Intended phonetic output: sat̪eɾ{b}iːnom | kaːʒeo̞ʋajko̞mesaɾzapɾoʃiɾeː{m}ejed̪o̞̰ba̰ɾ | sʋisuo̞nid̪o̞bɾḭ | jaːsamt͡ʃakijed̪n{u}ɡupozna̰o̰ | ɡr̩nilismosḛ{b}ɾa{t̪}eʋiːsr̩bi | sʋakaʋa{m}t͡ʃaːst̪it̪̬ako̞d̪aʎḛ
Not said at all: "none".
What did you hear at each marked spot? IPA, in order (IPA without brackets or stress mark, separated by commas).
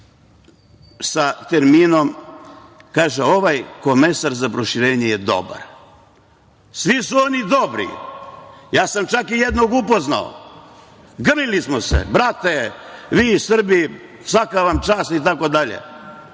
m, ɲ, o, b, t̪, m